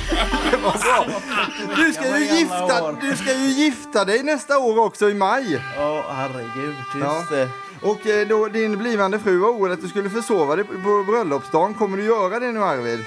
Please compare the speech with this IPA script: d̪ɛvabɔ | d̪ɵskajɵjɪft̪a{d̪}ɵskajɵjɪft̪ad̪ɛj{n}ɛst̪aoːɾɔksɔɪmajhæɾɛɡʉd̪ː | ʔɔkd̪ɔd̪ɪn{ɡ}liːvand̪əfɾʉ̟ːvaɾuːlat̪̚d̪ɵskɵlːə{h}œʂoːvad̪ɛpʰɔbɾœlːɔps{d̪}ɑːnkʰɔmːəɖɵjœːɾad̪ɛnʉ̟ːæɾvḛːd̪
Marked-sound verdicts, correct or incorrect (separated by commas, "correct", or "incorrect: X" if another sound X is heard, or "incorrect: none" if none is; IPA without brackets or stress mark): correct, correct, incorrect: b, incorrect: f, correct